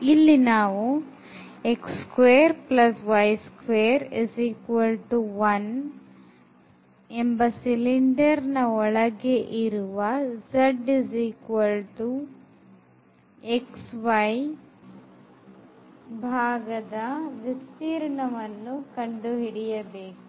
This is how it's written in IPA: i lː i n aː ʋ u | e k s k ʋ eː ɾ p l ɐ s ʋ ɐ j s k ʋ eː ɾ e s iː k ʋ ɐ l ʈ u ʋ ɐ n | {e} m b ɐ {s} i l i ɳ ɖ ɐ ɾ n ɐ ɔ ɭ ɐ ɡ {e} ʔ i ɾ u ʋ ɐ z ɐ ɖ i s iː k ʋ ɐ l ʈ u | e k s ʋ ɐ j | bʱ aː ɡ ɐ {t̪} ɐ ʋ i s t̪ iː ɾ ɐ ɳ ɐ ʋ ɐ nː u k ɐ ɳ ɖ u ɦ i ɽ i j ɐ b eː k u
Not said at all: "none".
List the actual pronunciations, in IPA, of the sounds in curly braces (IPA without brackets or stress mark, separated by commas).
e, s, e, d̪